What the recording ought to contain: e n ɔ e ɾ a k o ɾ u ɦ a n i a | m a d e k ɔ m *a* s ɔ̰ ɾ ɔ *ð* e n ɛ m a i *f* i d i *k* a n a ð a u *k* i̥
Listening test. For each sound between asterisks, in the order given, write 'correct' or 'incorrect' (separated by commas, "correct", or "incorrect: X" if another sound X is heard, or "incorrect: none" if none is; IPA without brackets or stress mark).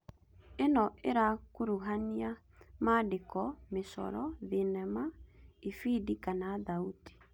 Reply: incorrect: e, correct, correct, correct, incorrect: t